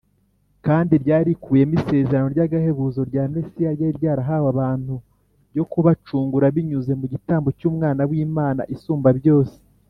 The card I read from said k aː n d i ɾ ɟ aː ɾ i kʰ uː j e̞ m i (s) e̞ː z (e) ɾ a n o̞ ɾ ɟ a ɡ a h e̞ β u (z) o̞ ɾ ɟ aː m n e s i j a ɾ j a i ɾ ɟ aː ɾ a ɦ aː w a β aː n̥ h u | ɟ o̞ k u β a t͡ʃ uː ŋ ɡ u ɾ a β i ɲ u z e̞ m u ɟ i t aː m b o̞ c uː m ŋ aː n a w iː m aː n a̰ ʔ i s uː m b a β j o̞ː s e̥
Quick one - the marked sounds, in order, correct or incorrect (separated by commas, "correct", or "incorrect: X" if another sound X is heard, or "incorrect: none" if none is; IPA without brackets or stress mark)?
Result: correct, correct, correct